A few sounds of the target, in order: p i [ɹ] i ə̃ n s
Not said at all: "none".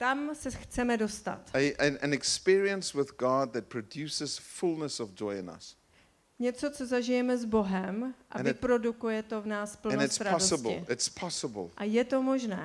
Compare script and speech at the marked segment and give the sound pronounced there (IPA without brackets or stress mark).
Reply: ɹ